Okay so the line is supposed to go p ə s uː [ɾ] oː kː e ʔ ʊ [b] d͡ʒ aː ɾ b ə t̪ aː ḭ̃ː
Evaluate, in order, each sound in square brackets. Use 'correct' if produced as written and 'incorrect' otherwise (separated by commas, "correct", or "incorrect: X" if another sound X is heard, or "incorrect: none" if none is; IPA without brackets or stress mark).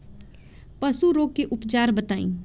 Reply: correct, incorrect: p